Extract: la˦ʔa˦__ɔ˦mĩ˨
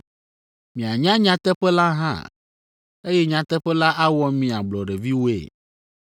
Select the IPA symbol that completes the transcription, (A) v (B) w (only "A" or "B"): B